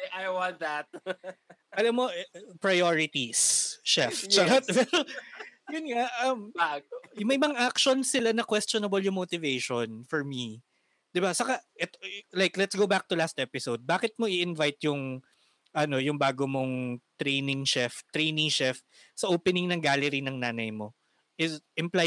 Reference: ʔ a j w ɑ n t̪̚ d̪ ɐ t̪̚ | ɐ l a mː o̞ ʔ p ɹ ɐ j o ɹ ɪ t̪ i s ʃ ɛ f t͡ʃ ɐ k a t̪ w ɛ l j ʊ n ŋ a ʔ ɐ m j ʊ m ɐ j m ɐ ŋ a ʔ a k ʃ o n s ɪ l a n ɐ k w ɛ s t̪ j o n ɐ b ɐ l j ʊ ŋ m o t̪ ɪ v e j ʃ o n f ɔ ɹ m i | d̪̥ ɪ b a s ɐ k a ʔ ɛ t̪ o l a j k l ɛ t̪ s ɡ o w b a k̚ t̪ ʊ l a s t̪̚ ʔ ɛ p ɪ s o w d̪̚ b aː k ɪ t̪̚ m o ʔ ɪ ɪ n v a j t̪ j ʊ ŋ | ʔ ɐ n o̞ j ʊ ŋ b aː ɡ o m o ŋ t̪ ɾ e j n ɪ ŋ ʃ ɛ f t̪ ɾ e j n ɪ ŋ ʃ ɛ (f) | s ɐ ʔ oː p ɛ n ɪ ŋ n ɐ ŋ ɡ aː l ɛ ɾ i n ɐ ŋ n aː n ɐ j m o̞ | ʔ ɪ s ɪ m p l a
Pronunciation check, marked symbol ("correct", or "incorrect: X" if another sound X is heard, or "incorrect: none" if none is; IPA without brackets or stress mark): correct